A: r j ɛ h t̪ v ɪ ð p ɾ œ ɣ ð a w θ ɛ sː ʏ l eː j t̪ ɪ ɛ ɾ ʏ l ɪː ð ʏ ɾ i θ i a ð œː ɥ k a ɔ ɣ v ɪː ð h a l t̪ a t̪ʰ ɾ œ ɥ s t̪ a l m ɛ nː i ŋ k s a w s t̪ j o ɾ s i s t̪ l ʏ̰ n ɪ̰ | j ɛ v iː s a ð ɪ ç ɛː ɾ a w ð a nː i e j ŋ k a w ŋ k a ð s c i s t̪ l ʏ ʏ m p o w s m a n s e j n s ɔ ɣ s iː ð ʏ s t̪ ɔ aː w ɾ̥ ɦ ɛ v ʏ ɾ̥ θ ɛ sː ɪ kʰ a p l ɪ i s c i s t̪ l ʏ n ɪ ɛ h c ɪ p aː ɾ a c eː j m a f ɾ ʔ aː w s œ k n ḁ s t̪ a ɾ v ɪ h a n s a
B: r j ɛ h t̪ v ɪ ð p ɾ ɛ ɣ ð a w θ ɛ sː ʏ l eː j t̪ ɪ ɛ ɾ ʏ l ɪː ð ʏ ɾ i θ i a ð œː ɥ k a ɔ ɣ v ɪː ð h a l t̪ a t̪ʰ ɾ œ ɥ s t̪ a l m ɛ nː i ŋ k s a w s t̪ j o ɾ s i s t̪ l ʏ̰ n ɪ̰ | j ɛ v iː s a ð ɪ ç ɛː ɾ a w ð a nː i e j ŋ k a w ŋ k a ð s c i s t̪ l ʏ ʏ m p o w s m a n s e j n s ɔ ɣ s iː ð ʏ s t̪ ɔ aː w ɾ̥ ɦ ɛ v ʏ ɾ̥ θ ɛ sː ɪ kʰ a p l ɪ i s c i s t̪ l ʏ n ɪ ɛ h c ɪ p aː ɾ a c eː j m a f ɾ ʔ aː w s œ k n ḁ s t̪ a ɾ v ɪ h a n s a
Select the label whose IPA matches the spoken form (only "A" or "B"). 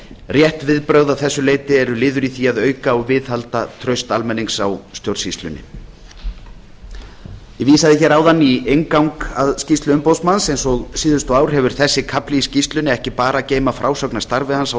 A